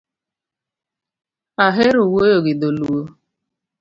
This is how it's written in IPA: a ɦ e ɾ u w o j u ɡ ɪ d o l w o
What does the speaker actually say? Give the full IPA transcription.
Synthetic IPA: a ɦ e ɾ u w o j o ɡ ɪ d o l u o